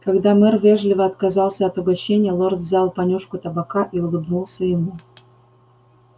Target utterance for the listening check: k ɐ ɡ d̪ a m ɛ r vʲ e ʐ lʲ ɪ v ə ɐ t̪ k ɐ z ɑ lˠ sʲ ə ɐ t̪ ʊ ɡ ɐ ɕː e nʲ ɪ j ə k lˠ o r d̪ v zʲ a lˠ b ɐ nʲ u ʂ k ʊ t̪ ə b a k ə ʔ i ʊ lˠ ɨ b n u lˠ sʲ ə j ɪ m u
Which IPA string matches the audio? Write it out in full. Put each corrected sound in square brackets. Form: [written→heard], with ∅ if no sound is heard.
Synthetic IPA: k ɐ ɡ d̪ a m ɛ r vʲ e ʐ lʲ ɪ v ə ɐ t̪ k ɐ z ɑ lˠ sʲ ə ɐ t̪ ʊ ɡ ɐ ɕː e nʲ ɪ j ə [k→∅] lˠ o r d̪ v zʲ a lˠ [b→p] ɐ nʲ u ʂ k ʊ t̪ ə b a k [ə→a] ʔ i ʊ lˠ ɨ b n u lˠ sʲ ə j ɪ m u

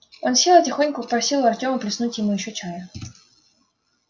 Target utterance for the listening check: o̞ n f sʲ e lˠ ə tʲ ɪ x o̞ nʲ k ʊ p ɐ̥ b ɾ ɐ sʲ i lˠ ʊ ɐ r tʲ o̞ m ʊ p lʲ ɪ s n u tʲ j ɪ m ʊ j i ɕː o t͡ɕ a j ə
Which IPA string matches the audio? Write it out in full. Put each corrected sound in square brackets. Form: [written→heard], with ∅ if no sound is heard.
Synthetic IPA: o̞ n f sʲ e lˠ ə tʲ ɪ x o̞ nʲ k ʊ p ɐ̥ [b→p] ɾ ɐ sʲ i lˠ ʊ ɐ r tʲ o̞ m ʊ p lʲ ɪ s n u tʲ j ɪ m [ʊ→u] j [i→ɪ] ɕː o t͡ɕ a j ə

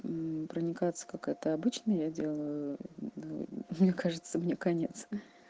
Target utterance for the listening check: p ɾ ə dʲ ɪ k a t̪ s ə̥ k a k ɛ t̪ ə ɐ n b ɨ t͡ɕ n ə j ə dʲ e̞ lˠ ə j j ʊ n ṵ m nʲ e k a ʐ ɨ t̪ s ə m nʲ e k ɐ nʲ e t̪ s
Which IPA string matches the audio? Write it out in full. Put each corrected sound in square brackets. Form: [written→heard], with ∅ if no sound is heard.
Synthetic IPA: p ɾ ə [dʲ→nʲ] ɪ k a t̪ s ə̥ k a k ɛ t̪ ə ɐ [n→∅] b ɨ t͡ɕ n ə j [ə→a] dʲ e̞ lˠ ə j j ʊ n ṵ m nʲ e k a ʐ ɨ t̪ s ə m nʲ e k ɐ nʲ e t̪ s

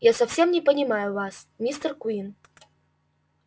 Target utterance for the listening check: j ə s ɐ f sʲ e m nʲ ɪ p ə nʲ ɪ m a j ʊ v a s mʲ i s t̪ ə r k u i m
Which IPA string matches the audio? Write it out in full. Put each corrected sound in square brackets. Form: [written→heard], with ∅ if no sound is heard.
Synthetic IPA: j [ə→a] s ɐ f sʲ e m nʲ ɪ p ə nʲ ɪ m a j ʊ v a s mʲ i s t̪ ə r k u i [m→n]

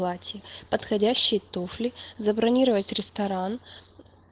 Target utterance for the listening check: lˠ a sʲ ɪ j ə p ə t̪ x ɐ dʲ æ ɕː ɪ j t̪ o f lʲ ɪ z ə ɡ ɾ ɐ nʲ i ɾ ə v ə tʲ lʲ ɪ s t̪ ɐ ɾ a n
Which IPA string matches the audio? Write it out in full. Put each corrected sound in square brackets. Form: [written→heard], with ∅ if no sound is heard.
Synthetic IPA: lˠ a [sʲ→tʲ] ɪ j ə p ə t̪ x ɐ dʲ æ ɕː ɪ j t̪ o f lʲ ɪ z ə [ɡ→b] ɾ ɐ nʲ i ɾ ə v ə tʲ [lʲ→ɾʲ] ɪ s t̪ ɐ ɾ a n

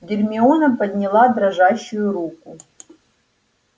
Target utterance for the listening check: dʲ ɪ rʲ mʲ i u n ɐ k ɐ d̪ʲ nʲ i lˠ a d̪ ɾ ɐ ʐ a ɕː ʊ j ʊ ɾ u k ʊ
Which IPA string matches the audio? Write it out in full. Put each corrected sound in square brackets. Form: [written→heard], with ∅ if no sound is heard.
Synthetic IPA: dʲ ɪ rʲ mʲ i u n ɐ [k→p] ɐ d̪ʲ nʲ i lˠ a d̪ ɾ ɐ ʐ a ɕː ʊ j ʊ ɾ u k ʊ

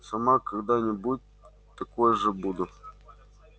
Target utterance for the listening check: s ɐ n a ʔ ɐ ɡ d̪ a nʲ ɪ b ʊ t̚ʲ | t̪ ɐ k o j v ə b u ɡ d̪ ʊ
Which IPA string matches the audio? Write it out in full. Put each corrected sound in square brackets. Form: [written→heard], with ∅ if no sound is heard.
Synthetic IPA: s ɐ [n→m] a [ʔ→k] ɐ ɡ d̪ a nʲ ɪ b [ʊ→u] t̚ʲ | t̪ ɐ k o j [v→ʐ] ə b u [ɡ→∅] d̪ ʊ

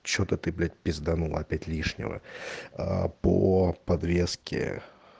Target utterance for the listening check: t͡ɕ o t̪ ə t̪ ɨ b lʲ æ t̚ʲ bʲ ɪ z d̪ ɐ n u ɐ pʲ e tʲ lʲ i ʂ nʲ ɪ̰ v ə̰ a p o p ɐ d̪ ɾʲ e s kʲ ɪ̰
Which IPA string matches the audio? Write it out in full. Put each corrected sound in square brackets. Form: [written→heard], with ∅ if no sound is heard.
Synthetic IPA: t͡ɕ o t̪ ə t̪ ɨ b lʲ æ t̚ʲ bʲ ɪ z d̪ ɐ n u ɐ pʲ [e→æ] tʲ lʲ i ʂ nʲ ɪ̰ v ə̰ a p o p ɐ d̪ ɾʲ e s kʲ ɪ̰

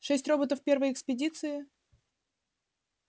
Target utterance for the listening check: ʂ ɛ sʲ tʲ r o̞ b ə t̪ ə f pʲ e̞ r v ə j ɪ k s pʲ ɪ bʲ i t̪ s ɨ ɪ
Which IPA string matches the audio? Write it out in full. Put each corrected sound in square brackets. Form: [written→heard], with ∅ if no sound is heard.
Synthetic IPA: ʂ ɛ sʲ tʲ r o̞ b ə t̪ ə f pʲ e̞ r v ə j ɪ k s pʲ ɪ [bʲ→dʲ] i t̪ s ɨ ɪ

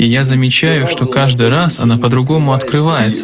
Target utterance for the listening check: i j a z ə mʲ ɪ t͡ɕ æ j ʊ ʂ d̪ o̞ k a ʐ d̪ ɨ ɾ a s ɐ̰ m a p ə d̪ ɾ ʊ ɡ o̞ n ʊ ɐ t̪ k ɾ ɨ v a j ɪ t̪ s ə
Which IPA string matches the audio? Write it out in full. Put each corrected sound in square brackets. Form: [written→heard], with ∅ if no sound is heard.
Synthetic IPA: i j a z ə mʲ ɪ t͡ɕ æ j ʊ ʂ [d̪→t̪] o̞ k a ʐ d̪ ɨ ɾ a s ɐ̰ [m→n] a p ə d̪ ɾ ʊ ɡ o̞ [n→m] ʊ ɐ t̪ k ɾ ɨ v a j ɪ t̪ s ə

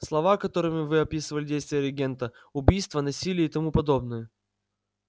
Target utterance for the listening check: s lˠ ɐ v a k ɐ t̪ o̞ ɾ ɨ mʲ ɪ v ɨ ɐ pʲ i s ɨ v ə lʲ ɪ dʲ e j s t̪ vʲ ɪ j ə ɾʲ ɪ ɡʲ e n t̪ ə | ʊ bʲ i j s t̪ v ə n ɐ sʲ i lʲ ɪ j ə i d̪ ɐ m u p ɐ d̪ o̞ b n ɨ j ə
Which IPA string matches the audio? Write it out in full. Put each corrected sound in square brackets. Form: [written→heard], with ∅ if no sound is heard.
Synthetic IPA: s lˠ ɐ v a k ɐ t̪ o̞ ɾ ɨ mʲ ɪ v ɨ ɐ pʲ i s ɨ v ə lʲ ɪ dʲ e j s t̪ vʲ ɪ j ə ɾʲ ɪ ɡʲ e n t̪ ə | ʊ bʲ i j s t̪ v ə n ɐ sʲ i lʲ ɪ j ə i [d̪→t̪] ɐ m u p ɐ d̪ o̞ b n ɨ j ə

